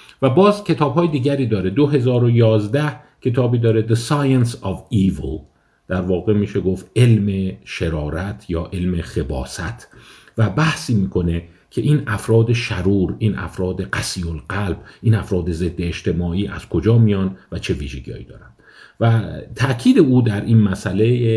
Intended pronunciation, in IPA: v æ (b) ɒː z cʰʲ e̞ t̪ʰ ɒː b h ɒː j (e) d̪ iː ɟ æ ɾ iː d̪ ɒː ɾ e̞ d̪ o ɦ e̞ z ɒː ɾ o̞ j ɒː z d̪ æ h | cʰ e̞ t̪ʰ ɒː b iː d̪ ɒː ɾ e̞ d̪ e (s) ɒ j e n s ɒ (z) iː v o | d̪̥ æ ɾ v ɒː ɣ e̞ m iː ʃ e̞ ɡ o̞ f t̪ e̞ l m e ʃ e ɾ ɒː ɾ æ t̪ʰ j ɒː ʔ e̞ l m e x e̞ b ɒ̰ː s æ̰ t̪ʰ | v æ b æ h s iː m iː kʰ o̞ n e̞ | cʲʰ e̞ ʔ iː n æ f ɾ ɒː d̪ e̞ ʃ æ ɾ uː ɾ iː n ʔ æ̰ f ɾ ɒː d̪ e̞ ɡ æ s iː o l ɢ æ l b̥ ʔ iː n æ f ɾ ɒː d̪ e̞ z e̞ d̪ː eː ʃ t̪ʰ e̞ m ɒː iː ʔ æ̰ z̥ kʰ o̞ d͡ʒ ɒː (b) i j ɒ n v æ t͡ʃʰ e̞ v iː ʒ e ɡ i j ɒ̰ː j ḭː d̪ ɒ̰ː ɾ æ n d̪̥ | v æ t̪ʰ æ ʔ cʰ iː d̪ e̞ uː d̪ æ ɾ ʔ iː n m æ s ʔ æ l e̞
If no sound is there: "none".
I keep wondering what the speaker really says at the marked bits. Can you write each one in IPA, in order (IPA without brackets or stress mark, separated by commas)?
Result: b, e, s, v, m